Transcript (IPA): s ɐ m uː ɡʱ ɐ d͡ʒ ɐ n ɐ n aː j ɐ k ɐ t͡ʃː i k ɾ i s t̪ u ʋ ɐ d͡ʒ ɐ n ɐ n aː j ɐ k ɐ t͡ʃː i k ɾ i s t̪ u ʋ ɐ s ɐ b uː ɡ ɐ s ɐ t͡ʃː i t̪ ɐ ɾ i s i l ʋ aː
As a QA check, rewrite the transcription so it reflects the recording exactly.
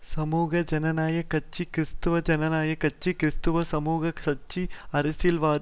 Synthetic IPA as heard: s ɐ m uː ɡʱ ɐ d͡ʒ ɐ n ɐ n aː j ɐ k ɐ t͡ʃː i k ɾ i s t̪ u ʋ ɐ d͡ʒ ɐ n ɐ n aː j ɐ k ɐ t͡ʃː i k ɾ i s t̪ u ʋ ɐ s ɐ m uː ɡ ɐ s ɐ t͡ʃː i ɐ ɾ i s i l ʋ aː